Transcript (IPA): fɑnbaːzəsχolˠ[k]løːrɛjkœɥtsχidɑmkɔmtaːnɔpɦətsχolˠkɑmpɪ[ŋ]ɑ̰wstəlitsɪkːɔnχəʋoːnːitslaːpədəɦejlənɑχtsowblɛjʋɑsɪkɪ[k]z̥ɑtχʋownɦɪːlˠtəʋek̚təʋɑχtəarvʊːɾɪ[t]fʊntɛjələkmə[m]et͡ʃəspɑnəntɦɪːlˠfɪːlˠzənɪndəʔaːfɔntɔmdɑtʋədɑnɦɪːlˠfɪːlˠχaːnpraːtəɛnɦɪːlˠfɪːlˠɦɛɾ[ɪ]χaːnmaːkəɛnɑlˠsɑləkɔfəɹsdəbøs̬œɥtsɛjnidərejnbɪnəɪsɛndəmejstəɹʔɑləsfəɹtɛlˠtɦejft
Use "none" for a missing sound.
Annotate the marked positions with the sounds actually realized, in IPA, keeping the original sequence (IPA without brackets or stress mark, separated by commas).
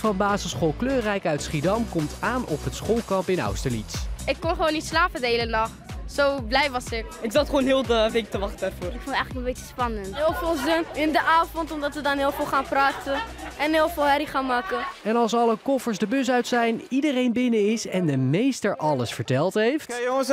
k, n, k, k, b, i